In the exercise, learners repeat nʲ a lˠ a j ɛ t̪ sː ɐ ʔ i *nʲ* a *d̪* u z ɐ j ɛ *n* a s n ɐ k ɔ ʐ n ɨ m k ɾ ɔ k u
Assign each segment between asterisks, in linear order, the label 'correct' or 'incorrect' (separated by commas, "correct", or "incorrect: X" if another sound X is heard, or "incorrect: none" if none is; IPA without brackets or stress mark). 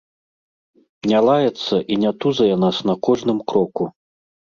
correct, incorrect: t̪, correct